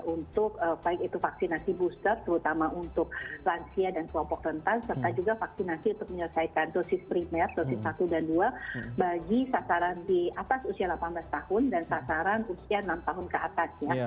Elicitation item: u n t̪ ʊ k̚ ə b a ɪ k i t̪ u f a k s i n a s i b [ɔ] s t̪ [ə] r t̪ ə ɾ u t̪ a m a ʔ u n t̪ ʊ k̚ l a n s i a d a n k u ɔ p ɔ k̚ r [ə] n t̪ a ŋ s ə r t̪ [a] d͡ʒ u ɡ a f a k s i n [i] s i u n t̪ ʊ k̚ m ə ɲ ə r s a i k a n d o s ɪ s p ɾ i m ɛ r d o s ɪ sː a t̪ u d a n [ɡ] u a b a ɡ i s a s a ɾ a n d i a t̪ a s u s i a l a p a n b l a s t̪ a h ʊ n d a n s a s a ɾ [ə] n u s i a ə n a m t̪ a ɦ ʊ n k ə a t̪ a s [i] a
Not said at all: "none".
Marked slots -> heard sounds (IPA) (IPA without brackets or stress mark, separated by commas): u, ə, ə, a, a, d, a, j